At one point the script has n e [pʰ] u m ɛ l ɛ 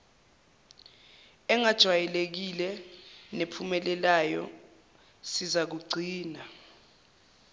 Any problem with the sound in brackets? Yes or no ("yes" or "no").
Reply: no